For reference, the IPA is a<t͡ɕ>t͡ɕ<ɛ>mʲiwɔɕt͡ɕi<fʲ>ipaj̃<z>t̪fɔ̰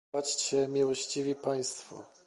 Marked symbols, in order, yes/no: yes, yes, no, no

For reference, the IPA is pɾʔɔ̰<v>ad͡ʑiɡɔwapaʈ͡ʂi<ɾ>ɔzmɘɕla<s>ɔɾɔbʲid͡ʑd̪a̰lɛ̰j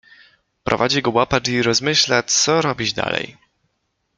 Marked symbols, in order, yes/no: yes, yes, yes

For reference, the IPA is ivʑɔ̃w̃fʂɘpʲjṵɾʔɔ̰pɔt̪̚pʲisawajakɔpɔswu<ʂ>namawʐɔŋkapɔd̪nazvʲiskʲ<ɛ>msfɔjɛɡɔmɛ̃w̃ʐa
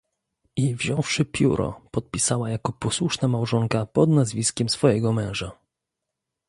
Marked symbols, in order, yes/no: yes, yes

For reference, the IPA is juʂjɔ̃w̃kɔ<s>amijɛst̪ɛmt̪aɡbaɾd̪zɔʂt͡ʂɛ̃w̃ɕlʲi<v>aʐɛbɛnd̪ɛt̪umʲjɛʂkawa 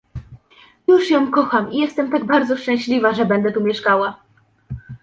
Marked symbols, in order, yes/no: no, yes

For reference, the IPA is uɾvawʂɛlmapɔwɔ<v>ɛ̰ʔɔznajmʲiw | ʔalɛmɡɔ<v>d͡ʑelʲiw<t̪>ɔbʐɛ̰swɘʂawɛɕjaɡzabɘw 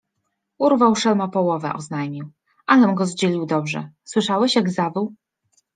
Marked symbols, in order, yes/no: yes, no, no

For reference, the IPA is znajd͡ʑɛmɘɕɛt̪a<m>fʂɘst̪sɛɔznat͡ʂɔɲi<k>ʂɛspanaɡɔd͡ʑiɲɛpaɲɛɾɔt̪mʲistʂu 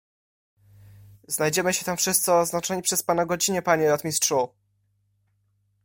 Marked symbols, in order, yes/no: yes, no

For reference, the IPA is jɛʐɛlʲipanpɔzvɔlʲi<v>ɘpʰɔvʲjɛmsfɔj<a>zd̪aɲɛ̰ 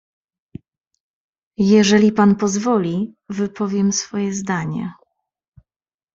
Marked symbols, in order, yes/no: yes, no

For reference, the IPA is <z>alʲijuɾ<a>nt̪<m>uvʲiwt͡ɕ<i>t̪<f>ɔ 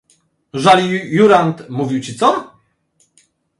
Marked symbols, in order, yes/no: no, yes, yes, yes, no

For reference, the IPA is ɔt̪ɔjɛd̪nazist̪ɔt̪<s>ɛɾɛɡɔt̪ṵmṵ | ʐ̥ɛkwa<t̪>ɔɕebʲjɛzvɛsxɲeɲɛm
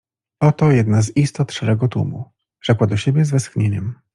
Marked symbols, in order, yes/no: no, no

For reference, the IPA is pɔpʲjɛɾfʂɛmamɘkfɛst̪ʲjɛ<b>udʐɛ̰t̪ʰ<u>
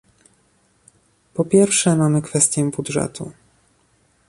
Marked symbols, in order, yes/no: yes, yes

